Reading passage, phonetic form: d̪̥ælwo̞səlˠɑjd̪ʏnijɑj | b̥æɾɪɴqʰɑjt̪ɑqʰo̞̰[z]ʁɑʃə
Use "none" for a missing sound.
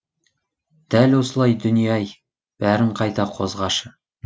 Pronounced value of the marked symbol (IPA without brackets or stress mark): z